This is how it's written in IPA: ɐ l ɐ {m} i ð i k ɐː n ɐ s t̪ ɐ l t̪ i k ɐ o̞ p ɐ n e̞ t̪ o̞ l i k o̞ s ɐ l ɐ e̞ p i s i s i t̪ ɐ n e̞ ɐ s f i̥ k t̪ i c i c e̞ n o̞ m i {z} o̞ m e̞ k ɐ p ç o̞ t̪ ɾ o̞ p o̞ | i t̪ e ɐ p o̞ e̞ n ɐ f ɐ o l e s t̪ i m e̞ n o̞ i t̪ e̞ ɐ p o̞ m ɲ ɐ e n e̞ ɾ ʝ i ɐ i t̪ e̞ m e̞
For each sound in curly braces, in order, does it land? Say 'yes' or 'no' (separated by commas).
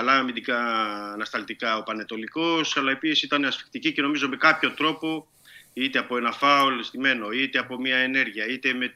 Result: yes, yes